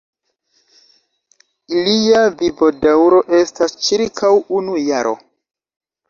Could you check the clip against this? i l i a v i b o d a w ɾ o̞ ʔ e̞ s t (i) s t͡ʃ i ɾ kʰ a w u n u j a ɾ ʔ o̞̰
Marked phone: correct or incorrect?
incorrect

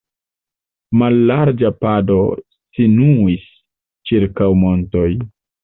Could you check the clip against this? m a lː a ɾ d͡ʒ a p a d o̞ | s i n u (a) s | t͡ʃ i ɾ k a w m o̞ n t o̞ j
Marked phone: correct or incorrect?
incorrect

